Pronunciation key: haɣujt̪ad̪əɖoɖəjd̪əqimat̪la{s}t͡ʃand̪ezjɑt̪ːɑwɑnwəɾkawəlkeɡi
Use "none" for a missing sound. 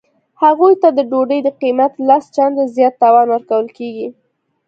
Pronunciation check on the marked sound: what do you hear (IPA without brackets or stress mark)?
s